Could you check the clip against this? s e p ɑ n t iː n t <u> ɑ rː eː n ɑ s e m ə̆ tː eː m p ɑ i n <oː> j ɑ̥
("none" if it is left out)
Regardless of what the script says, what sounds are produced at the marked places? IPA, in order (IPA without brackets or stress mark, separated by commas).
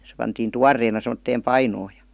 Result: u, oː